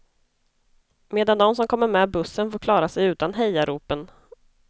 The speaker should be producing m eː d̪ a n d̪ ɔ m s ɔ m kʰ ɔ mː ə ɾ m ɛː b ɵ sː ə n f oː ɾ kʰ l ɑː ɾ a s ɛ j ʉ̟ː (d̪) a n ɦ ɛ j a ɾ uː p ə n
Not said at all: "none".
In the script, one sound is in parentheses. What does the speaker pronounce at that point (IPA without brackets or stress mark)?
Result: t̪